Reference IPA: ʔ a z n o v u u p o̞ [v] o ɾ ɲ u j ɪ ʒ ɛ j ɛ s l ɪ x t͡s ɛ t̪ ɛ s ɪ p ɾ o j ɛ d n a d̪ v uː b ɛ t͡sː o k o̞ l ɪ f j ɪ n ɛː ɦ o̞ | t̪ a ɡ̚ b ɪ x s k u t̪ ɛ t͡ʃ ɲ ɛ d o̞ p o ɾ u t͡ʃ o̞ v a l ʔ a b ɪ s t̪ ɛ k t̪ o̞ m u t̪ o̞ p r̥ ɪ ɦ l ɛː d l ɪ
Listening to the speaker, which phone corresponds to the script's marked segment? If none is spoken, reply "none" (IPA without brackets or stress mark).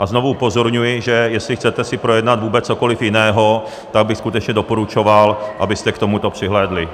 z